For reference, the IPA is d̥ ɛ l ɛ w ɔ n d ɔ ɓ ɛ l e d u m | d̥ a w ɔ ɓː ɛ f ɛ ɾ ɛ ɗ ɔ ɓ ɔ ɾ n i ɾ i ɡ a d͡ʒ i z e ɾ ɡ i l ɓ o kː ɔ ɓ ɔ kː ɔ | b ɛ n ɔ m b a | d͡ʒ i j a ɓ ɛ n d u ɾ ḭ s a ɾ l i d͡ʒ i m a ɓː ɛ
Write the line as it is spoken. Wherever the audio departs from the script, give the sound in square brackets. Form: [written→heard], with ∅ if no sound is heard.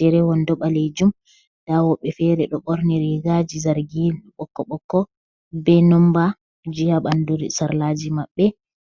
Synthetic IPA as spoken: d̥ ɛ [l→ɾ] ɛ w ɔ n d ɔ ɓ [ɛ→a] l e [d→d͡ʒ] u m | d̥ a w ɔ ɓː ɛ f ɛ ɾ ɛ ɗ ɔ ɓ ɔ ɾ n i ɾ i ɡ a d͡ʒ i z [e→a] ɾ ɡ i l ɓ [o→ɔ] kː ɔ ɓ ɔ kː ɔ | b ɛ n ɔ m b a | d͡ʒ i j a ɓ [ɛ→a] n d u ɾ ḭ s a ɾ l [i→a] d͡ʒ i m a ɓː ɛ